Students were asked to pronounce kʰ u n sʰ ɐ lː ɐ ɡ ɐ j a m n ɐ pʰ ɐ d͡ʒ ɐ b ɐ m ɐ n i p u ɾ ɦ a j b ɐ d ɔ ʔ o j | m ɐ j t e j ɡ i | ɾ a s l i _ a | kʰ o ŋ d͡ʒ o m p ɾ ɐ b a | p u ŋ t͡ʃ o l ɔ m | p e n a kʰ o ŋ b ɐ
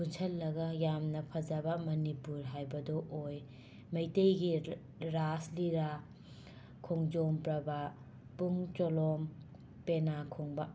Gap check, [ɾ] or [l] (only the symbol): ɾ